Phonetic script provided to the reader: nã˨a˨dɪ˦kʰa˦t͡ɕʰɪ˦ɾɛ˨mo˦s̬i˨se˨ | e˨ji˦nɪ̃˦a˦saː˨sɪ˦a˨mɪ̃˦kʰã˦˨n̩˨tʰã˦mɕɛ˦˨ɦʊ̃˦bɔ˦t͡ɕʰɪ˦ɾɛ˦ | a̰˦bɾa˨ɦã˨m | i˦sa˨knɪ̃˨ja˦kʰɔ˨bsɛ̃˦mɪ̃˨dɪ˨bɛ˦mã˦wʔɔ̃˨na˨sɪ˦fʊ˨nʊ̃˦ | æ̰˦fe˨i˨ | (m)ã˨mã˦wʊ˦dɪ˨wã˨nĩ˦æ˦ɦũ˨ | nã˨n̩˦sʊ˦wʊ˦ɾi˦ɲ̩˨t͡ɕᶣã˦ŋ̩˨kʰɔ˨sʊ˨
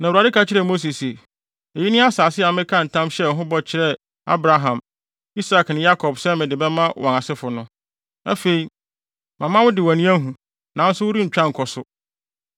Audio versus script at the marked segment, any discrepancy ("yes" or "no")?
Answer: no